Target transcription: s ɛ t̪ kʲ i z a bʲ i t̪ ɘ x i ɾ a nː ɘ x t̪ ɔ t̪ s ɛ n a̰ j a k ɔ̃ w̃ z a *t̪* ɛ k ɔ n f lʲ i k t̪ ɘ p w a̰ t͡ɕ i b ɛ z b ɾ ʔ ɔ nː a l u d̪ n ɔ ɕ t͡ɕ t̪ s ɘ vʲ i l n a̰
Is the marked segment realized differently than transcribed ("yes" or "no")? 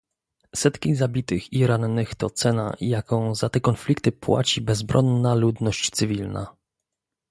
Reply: no